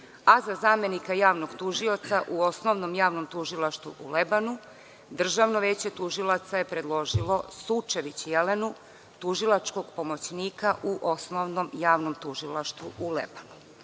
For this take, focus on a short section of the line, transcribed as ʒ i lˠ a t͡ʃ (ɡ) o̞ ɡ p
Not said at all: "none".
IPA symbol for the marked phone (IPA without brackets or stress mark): k